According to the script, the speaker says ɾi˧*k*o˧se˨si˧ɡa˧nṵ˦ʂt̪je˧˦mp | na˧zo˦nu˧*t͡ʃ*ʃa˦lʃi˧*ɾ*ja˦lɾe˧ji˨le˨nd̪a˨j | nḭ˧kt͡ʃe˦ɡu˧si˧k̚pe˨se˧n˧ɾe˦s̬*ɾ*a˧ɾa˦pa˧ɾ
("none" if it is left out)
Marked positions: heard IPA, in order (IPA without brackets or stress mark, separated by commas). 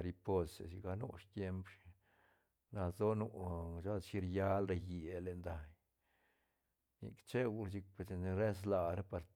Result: p, none, ɾ, l